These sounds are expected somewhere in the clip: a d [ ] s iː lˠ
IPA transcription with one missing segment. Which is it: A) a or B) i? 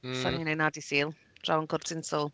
B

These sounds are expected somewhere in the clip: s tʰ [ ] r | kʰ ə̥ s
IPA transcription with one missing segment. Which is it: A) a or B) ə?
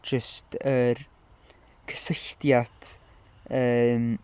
B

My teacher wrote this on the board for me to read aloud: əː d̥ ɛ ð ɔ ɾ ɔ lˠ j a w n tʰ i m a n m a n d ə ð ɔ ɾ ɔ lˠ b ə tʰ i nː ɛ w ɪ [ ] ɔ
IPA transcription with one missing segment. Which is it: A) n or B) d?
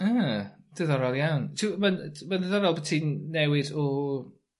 B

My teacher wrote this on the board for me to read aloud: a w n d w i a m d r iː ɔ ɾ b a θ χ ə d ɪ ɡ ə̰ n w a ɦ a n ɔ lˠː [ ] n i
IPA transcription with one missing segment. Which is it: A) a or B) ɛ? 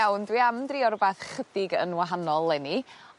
B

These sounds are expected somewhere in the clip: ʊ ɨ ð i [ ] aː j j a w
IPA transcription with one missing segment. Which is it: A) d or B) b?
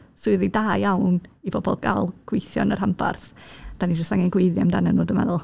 A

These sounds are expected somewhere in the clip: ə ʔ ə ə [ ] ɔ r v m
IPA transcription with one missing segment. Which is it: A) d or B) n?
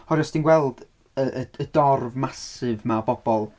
A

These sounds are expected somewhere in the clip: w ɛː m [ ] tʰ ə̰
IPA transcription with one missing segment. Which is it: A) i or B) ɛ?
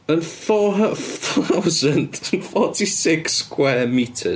A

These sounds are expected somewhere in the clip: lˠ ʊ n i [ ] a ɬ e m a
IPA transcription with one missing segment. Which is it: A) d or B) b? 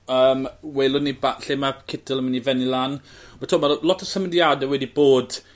B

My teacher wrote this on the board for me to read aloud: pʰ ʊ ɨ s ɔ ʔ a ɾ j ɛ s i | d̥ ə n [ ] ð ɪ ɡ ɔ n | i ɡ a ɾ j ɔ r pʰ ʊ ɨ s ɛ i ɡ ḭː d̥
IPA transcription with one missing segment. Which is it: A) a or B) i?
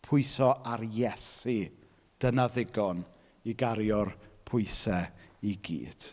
A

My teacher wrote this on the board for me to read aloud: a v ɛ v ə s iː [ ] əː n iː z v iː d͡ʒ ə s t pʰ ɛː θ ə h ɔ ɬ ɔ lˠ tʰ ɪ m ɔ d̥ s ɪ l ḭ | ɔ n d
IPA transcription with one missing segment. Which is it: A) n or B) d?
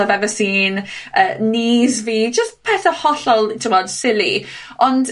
A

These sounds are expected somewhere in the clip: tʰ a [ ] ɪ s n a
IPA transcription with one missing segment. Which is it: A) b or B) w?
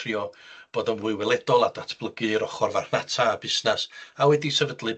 A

